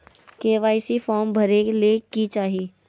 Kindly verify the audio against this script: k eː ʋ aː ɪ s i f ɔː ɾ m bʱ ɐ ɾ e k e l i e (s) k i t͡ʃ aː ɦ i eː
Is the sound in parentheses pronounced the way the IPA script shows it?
no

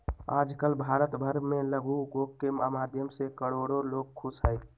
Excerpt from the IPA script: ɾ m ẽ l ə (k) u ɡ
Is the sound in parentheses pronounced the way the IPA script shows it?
no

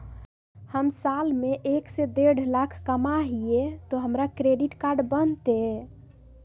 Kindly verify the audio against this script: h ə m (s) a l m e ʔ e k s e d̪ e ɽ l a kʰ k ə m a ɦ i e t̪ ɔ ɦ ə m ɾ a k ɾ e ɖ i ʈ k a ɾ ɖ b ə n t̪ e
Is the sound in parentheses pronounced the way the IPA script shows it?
yes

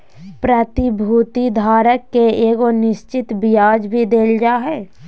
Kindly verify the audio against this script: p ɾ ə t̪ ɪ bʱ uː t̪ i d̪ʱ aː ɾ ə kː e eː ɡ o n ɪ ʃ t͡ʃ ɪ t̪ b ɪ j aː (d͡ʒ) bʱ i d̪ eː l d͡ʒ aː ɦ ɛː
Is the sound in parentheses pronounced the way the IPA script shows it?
yes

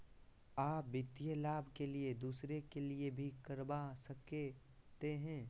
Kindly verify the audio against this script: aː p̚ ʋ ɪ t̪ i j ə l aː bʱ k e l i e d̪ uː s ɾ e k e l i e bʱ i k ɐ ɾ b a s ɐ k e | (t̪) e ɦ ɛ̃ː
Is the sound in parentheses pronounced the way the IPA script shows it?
yes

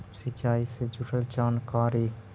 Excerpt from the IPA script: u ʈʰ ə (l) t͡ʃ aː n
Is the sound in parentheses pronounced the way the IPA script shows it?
yes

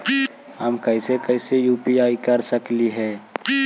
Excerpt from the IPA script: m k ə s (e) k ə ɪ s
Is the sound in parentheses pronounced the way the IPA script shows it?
yes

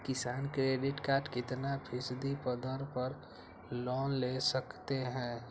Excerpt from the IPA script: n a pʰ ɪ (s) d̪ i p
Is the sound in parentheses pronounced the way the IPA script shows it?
yes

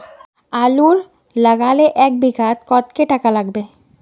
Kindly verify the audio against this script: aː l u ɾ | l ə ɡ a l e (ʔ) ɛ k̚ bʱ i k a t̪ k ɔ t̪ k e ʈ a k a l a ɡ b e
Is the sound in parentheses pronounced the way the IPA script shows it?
yes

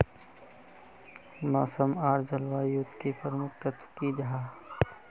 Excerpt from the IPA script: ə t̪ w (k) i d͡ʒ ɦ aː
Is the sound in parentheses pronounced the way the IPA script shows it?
yes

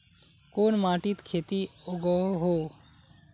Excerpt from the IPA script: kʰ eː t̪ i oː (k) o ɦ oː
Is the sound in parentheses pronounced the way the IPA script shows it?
no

